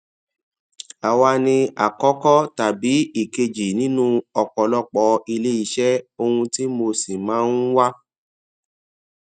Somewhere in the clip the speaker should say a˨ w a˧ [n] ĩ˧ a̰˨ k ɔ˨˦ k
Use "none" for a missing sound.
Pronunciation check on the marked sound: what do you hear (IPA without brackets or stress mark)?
n